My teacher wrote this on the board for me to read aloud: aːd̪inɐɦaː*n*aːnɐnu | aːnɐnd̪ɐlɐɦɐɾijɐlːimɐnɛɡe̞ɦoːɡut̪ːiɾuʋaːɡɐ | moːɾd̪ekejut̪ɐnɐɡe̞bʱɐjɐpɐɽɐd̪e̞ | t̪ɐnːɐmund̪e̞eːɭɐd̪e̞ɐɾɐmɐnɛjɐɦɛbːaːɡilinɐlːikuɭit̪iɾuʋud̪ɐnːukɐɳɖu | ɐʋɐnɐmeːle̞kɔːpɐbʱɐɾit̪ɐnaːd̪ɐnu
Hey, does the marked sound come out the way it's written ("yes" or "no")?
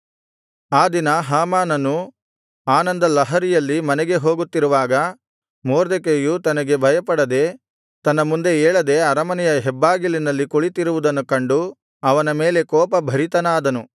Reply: no